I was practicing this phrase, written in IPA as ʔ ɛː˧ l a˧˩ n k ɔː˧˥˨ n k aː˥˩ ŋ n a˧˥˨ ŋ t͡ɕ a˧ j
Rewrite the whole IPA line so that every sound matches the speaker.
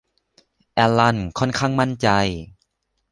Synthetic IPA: ʔ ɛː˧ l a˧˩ n kʰ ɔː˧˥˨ n kʰ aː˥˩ ŋ m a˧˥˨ n t͡ɕ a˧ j